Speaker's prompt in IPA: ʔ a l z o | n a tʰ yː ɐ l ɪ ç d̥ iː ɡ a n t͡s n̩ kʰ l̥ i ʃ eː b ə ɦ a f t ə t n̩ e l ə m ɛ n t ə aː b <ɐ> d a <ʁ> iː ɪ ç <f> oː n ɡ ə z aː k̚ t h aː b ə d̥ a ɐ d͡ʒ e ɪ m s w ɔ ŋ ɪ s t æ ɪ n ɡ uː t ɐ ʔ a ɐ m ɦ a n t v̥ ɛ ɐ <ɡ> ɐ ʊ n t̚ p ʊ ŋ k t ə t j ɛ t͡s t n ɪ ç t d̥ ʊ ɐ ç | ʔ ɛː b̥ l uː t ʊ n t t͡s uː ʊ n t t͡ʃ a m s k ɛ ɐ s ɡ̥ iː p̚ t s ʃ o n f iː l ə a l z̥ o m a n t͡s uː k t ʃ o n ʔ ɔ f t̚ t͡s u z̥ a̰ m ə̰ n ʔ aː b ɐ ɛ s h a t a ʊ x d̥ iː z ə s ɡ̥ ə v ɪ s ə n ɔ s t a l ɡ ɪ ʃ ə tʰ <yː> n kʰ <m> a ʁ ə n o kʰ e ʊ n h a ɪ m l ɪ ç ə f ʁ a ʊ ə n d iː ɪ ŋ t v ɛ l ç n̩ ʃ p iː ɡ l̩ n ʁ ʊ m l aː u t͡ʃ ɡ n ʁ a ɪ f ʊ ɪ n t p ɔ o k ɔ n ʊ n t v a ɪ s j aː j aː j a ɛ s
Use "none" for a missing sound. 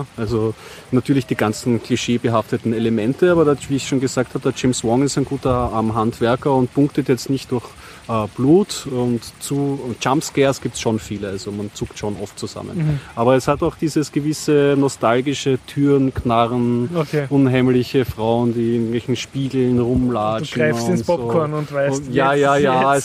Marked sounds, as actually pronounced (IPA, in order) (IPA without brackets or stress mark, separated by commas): ɐ, v, ʃ, k, yː, n